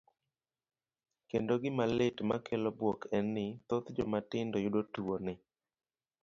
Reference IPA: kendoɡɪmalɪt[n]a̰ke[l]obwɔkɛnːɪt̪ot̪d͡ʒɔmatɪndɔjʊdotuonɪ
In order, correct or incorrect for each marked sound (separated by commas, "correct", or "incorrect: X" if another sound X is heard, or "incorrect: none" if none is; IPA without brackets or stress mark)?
incorrect: m, correct